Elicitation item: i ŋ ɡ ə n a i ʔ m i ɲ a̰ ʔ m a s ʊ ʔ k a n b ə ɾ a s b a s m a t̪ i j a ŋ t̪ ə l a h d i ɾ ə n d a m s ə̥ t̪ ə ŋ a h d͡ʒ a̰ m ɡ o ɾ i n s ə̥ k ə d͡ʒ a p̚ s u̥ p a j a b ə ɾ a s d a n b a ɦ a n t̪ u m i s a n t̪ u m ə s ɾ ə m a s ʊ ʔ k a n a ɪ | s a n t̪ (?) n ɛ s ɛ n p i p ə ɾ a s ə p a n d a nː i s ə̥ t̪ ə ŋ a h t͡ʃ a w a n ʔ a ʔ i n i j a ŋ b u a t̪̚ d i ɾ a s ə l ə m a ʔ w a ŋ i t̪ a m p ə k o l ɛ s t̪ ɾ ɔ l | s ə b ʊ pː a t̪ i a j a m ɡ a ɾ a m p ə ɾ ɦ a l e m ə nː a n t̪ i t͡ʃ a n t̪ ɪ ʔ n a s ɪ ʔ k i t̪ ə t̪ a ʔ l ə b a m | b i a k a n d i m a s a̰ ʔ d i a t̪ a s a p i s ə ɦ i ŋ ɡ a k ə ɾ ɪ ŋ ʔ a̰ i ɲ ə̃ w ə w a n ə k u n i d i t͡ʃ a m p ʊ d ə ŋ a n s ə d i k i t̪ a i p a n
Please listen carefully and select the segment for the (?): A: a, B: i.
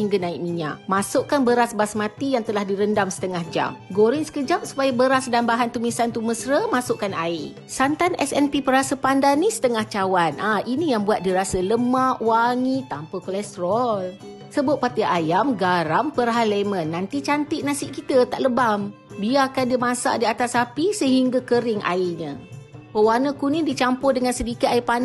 A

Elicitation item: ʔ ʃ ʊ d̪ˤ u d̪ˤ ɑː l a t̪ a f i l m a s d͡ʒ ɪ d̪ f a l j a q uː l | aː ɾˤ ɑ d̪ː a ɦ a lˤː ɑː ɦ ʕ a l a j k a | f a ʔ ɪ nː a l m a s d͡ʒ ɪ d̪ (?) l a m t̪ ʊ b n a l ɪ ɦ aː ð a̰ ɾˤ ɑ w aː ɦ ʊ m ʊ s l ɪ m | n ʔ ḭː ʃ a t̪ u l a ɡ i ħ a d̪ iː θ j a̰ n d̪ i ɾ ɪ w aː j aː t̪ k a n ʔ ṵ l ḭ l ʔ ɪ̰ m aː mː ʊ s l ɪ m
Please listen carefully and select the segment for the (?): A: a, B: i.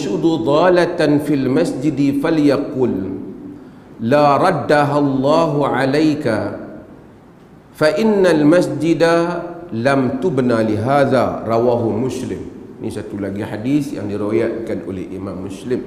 A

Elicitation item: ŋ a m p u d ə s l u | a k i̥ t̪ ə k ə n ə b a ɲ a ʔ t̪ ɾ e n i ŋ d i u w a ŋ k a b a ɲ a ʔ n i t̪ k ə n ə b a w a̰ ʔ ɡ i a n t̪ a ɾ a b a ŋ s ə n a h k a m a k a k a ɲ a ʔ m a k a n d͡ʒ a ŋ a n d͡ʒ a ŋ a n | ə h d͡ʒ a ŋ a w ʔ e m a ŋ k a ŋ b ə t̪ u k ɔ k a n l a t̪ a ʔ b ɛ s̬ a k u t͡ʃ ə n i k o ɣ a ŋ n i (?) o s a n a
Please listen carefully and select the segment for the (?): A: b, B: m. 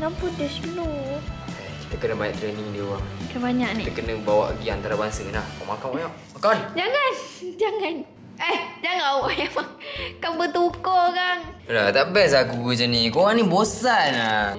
A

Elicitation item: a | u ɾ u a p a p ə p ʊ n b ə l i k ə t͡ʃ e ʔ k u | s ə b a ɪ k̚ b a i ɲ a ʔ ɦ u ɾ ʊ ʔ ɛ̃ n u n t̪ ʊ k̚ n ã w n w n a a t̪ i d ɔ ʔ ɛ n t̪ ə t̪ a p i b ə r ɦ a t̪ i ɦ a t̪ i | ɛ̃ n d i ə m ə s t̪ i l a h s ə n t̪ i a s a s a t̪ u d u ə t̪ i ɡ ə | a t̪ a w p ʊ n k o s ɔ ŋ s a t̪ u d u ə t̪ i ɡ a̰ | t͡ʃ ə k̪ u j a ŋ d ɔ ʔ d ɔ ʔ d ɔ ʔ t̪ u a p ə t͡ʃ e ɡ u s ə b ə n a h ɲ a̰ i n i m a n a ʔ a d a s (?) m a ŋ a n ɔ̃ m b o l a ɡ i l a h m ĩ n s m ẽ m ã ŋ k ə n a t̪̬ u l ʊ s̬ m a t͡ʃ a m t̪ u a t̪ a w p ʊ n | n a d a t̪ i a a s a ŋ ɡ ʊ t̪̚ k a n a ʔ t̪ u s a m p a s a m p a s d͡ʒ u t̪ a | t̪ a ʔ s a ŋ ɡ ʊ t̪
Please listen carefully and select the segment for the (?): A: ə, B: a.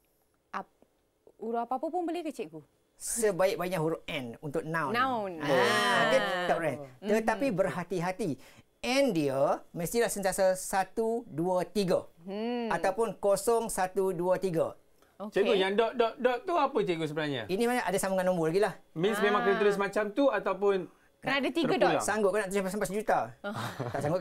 B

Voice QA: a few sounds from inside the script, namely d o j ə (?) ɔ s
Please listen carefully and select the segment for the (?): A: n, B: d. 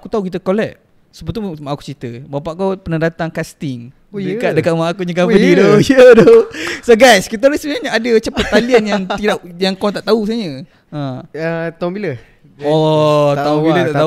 B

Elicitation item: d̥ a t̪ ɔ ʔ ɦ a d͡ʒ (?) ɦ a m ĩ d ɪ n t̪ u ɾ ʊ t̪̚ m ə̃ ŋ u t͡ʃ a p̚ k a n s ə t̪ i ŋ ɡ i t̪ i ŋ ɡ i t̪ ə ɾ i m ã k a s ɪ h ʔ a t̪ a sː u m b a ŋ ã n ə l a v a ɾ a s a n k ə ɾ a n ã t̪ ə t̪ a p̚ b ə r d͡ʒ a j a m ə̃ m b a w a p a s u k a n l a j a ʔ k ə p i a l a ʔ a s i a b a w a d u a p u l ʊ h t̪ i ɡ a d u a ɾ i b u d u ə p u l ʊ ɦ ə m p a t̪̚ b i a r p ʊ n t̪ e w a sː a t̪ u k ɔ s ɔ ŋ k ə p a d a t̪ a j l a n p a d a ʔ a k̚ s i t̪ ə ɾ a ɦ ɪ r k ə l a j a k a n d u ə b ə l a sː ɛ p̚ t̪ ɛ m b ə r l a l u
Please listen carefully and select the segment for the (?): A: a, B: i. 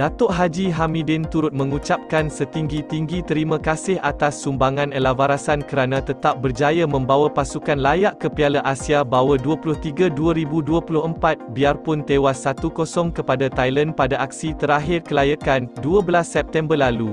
B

